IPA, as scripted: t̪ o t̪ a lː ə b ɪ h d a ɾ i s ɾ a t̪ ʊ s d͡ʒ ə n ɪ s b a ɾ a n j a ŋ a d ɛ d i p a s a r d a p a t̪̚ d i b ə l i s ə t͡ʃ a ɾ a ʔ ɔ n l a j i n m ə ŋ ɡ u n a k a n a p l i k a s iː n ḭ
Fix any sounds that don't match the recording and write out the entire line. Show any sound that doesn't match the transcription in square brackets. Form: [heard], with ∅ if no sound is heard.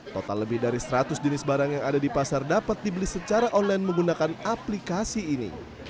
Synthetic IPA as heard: t̪ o t̪ a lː ə b ɪ h d a ɾ i s ɾ a t̪ ʊ s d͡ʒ ə n ɪ s b a ɾ a [ŋ] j a ŋ a d [a] d i p a s a r d a p a t̪̚ d i b ə l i s ə t͡ʃ a ɾ a ʔ ɔ n l a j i n m ə ŋ ɡ u n a k a n a p l i k a s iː n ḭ